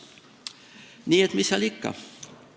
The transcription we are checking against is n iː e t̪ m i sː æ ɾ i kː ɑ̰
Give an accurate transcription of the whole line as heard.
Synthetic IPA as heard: n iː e t̪ m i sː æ l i kː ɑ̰